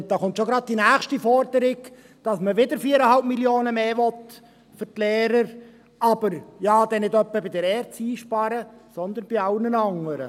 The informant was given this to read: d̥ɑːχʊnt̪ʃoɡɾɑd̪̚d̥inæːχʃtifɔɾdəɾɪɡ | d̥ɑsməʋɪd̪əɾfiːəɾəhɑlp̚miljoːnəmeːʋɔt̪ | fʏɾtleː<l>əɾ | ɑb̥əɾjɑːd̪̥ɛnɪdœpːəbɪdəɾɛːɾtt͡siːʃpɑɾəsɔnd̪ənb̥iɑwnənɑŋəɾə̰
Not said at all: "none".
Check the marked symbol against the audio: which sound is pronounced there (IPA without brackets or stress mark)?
ɾ